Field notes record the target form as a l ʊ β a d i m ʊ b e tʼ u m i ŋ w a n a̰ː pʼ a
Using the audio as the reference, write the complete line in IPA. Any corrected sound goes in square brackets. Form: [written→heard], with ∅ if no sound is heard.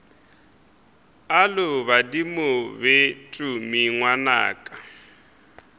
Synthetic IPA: a l ʊ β a d i m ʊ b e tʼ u m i ŋ w a n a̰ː [pʼ→kʼ] a